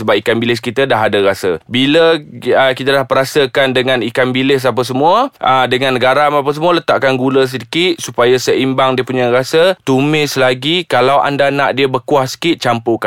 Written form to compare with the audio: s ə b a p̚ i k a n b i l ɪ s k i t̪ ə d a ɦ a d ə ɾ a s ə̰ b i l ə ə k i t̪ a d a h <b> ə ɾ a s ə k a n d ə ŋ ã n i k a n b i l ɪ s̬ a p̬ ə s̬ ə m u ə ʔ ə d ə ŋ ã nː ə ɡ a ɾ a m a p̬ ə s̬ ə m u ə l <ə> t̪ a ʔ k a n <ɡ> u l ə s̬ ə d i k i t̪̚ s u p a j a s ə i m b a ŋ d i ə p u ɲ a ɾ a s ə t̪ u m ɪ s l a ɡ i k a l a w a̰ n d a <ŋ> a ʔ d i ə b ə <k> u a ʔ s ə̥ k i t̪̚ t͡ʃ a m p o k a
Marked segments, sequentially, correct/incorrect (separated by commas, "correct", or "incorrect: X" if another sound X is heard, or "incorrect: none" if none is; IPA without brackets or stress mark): incorrect: p, correct, correct, incorrect: n, correct